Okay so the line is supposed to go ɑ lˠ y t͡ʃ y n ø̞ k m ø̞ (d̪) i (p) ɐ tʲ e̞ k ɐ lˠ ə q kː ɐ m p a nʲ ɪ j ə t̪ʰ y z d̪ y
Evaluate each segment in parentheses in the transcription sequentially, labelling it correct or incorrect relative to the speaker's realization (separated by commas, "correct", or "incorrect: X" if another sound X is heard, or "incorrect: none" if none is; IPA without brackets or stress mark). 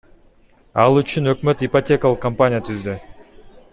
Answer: incorrect: t̪, correct